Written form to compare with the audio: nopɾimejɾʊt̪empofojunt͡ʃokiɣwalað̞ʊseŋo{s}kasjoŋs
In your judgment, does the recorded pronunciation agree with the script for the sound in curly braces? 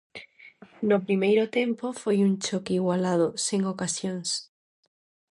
no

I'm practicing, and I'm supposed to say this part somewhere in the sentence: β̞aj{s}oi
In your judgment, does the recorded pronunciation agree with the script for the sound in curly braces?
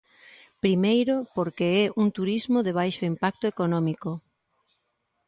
no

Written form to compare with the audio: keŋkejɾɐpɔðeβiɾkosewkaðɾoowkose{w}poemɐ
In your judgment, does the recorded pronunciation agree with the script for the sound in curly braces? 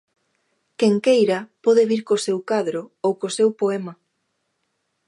yes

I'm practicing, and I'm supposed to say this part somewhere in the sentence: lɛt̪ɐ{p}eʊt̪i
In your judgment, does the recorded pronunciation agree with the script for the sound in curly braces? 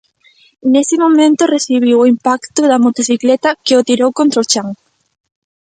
no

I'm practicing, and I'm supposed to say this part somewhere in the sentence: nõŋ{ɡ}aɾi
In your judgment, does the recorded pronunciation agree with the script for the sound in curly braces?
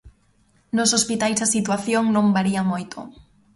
no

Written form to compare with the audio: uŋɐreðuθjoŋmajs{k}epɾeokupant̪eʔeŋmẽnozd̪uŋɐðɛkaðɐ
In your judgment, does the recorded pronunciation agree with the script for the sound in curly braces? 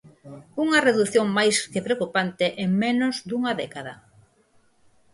yes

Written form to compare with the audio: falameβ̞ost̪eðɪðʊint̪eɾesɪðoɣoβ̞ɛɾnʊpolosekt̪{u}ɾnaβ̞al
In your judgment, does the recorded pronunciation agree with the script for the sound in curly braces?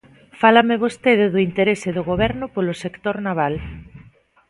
no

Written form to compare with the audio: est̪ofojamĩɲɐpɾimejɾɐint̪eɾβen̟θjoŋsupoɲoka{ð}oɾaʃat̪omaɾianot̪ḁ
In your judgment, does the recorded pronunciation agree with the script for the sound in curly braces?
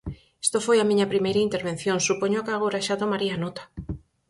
no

